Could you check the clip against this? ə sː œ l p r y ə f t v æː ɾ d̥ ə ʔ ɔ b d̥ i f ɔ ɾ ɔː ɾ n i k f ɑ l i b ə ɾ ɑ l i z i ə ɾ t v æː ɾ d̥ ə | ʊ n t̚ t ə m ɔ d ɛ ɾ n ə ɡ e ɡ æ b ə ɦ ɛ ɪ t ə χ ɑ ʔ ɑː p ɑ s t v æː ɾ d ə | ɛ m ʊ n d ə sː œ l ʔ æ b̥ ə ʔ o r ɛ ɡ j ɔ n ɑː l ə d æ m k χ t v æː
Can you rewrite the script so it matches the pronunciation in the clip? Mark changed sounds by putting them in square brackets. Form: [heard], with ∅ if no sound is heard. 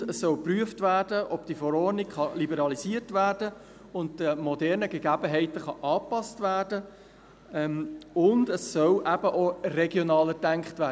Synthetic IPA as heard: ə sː œ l p r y ə f t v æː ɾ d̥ ə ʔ ɔ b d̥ i f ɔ ɾ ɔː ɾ n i k [χ] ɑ l i b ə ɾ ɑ l i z i ə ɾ t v æː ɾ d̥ ə | ʊ n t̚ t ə m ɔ d ɛ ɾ n ə ɡ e ɡ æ b ə ɦ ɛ ɪ t ə χ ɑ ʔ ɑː p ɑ s t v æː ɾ d ə | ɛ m ʊ n d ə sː œ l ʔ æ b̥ ə ʔ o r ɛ ɡ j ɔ n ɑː l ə d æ [ŋ] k χ t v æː

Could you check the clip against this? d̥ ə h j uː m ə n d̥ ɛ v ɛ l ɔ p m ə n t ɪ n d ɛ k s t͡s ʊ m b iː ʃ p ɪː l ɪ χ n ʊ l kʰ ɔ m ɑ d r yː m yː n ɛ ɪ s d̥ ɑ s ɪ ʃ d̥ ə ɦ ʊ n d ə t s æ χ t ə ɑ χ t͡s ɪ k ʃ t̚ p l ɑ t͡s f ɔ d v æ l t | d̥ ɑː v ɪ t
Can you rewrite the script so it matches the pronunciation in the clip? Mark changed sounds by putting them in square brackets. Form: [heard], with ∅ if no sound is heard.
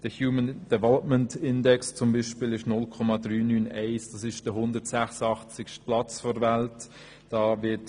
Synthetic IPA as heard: d̥ ə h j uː m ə n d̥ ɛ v ɛ l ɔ p m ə n t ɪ n d ɛ k s t͡s ʊ m b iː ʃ p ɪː l ɪ [ʃ] n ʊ l kʰ ɔ m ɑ d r yː [n] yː n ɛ ɪ s d̥ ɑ s ɪ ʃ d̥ ə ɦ ʊ n d ə t s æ χ [s] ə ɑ χ t͡s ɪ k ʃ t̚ p l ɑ t͡s f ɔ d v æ l t | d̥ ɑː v ɪ t

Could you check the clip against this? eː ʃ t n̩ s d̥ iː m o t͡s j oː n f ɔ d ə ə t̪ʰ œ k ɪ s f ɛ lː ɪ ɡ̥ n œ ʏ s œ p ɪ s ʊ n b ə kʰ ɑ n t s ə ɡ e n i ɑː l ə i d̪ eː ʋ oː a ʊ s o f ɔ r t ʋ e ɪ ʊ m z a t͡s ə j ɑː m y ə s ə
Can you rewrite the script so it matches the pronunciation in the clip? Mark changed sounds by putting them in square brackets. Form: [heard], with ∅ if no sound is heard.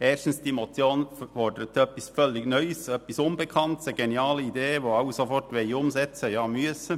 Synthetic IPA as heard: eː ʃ t n̩ s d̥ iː m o t͡s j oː n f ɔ d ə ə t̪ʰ œ [p] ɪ s f [œ] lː ɪ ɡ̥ n œ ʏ s œ p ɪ s ʊ n b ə kʰ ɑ n t s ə ɡ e n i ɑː l ə i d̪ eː ʋ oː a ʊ s o f ɔ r t ʋ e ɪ ʊ m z [ɛ] t͡s ə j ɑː m y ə s ə

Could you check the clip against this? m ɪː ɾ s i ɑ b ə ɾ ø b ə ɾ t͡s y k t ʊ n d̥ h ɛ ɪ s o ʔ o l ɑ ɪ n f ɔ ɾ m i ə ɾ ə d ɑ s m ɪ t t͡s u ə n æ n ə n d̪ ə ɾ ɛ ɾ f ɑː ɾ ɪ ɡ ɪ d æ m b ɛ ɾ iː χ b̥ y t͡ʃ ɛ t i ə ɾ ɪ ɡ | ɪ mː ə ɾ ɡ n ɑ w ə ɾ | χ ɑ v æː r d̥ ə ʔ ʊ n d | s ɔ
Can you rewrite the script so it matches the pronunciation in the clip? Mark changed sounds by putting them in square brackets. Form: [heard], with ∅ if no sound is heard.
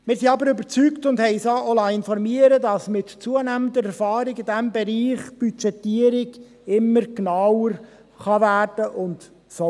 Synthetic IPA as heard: m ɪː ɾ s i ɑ b ə ɾ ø b ə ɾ t͡s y k t ʊ n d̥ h ɛ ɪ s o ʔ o l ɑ ɪ n f ɔ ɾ m i ə ɾ ə d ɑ s m ɪ t t͡s u ə n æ [m] ə n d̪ ə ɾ ɛ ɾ f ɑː ɾ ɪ ɡ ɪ d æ m b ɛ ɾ iː χ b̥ y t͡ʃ ɛ t i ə ɾ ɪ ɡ | ɪ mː ə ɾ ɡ n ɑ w ə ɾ | χ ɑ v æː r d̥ ə ʔ ʊ n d | s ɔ

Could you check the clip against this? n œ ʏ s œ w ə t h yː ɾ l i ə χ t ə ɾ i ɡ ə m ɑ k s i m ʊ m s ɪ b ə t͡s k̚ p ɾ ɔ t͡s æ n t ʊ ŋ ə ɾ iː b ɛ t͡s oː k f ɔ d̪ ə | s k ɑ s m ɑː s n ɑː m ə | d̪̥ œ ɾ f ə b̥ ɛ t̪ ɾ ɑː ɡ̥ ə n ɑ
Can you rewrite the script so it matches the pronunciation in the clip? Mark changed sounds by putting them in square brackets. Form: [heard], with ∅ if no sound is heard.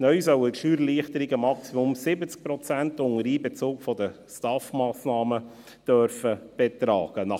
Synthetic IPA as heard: n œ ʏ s œ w ə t [ʃ] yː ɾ l i ə χ t ə ɾ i ɡ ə m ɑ k s i m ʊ m s ɪ b ə t͡s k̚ p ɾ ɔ t͡s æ n t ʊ ŋ ə ɾ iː b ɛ t͡s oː k f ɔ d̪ ə | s [t] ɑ [f] m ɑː s n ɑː m ə | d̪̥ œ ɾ f ə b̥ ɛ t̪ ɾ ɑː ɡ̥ ə n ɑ

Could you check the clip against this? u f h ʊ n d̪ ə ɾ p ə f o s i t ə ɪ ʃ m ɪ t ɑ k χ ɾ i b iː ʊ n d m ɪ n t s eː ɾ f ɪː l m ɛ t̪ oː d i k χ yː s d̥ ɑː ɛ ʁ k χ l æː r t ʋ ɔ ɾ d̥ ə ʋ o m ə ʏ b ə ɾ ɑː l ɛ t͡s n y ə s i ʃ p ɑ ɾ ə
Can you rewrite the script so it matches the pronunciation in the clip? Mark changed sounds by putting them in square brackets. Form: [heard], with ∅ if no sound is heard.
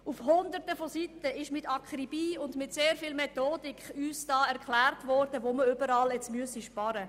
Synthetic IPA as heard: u f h ʊ n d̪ ə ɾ [t] ə f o s i t ə ɪ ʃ m ɪ t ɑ k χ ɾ i b iː ʊ n d m ɪ [∅] t s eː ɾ f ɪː l m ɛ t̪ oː d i k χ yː s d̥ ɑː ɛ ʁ k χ l æː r t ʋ ɔ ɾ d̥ ə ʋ o m ə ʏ b ə ɾ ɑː l ɛ t͡s [m] y ə s i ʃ p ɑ ɾ ə

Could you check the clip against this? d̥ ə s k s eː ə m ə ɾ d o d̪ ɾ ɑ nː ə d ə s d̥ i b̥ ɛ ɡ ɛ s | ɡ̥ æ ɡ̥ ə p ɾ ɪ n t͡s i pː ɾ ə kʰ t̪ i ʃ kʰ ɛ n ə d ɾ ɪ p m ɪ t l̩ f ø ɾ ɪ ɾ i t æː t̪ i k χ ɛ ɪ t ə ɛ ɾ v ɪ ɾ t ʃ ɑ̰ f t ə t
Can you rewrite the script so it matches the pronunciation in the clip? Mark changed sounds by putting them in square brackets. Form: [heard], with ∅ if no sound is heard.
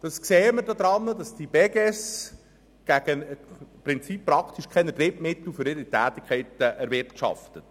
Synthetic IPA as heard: d̥ [ɑ] s k s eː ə m ə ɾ d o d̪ ɾ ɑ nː ə d [ɑ] s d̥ i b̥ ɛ ɡ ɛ s | ɡ̥ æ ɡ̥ ə p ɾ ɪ n t͡s i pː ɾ [ɑ] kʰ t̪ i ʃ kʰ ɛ n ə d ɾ ɪ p m ɪ t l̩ f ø ɾ ɪ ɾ i t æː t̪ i k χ ɛ ɪ t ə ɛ ɾ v ɪ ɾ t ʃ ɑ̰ f t ə t

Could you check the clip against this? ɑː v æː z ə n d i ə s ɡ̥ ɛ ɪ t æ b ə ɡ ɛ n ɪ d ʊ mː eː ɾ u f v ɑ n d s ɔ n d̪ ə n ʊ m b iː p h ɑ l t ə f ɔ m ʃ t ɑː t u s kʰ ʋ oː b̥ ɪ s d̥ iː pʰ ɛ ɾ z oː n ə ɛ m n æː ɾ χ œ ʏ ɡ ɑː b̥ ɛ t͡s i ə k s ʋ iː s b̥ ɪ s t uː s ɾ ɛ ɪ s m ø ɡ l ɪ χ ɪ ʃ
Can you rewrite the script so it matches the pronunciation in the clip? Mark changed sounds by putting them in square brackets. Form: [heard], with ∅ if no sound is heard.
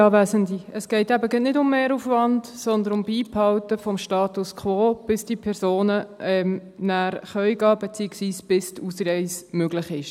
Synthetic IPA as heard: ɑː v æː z ə n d i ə s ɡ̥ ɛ ɪ t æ b ə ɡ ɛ n ɪ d ʊ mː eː ɾ u f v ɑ n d s ɔ n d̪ ə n ʊ m b iː p h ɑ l t ə f ɔ m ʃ t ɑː t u s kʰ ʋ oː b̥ ɪ s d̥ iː pʰ ɛ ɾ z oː n ə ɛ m n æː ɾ χ œ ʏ ɡ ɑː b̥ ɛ t͡s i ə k s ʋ iː s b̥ ɪ s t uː s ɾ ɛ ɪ s m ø ɡ l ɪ χ ɪ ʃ

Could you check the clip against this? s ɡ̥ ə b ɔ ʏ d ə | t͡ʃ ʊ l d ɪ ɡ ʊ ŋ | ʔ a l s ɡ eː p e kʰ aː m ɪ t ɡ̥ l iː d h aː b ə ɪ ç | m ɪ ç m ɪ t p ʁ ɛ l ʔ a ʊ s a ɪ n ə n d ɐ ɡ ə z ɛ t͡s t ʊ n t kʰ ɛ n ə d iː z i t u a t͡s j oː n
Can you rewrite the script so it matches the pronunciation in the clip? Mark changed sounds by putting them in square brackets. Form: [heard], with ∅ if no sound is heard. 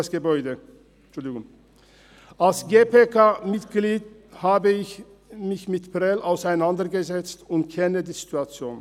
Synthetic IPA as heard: s ɡ̥ ə b ɔ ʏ d ə | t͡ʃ ʊ l d ɪ ɡ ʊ ŋ | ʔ a l s ɡ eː p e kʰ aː m ɪ t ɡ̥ l iː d h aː b ə ɪ ç | m ɪ ç m ɪ t p ʁ ɛ l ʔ a ʊ s a ɪ n [a] n d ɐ ɡ ə z ɛ t͡s t ʊ n t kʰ ɛ n ə d iː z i t u a t͡s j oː n

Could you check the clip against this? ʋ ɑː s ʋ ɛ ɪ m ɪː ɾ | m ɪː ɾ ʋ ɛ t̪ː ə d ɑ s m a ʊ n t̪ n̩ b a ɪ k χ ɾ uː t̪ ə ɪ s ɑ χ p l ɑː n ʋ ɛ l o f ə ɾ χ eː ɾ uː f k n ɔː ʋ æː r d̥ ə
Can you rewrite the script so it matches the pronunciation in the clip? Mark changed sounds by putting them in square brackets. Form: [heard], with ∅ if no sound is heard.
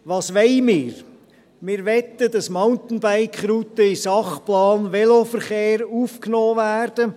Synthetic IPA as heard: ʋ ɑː s ʋ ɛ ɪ m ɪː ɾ | m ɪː ɾ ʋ ɛ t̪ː ə d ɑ s m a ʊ n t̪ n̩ b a ɪ k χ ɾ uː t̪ ə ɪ s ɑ χ p l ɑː n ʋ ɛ l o f ə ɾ χ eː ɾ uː f k n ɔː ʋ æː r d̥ ə

